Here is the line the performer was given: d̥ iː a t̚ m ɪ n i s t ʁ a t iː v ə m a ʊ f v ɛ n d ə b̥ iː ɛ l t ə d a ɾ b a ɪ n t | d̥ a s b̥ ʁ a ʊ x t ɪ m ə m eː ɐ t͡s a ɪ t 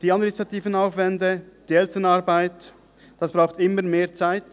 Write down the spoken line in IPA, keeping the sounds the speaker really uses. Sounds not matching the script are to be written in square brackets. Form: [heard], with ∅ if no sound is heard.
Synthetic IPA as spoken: d̥ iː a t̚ m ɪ n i s t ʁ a t iː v ə [n] a ʊ f v ɛ n d ə [d̥] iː ɛ l t ə [n] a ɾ b a ɪ [∅] t | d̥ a s b̥ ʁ a ʊ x t ɪ m ə m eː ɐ t͡s a ɪ t

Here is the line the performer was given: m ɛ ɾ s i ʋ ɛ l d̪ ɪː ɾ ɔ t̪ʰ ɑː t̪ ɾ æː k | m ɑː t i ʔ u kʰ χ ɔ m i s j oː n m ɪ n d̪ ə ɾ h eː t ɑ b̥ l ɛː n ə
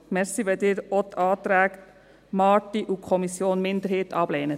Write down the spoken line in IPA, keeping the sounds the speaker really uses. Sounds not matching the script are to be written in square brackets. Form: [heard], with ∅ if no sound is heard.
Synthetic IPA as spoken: m ɛ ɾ s i ʋ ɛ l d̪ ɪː ɾ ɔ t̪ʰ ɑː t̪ ɾ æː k | m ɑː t i ʔ u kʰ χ ɔ m i s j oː n m ɪ n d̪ ə ɾ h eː t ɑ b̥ l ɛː n ə

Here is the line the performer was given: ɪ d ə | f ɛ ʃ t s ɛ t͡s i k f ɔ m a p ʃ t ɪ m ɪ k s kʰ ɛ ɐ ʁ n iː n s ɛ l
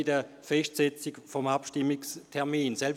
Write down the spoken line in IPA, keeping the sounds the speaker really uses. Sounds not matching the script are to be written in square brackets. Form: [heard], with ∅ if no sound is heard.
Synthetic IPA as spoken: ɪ d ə | f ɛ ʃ t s ɛ t͡s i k f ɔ m a p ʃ t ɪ m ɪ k s [tʰ] ɛ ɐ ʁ [m] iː n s ɛ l

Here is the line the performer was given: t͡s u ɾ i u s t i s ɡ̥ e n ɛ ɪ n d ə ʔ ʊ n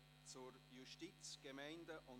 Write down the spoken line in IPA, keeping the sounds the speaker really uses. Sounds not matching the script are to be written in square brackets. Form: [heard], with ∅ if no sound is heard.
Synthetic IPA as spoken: t͡s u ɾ [j] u [ʃ] t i [t͡s] ɡ̥ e [m] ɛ ɪ n d ə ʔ ʊ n

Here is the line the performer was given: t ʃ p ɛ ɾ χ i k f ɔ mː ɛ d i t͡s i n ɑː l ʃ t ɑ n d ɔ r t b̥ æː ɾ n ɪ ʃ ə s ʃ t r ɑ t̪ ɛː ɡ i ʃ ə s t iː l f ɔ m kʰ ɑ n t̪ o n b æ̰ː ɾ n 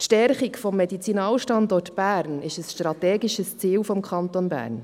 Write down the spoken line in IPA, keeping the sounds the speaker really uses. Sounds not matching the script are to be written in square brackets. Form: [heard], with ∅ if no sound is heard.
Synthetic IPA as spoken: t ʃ [t] ɛ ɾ χ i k f ɔ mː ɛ d i t͡s i n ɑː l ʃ t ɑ n d ɔ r t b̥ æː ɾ n ɪ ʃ ə s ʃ t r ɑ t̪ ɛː ɡ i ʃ ə s [t͡s] iː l f ɔ m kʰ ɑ n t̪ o n b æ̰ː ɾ n

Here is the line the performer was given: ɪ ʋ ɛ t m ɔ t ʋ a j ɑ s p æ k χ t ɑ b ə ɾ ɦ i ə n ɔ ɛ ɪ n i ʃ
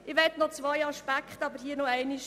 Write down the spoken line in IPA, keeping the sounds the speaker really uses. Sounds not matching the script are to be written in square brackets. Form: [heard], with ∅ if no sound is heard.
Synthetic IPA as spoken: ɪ ʋ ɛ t [n] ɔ [t͡s] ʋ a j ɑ [ʃ] p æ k χ t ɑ b ə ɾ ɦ i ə n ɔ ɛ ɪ n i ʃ

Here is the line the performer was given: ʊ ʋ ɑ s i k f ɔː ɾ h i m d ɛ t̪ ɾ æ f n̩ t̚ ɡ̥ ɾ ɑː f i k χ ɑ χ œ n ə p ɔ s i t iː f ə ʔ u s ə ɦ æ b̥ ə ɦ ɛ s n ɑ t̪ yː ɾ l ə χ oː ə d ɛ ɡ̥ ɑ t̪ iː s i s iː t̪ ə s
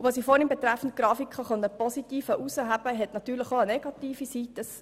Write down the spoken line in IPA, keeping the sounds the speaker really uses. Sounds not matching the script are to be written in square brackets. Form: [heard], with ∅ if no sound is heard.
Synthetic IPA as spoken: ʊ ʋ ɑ s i [∅] f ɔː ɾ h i m [b] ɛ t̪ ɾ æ f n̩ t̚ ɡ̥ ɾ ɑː f i k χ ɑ χ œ n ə p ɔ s i t iː f ə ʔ u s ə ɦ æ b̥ ə ɦ ɛ [t] n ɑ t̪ yː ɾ l ə χ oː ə [n] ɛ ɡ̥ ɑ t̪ iː [f] i s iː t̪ ə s

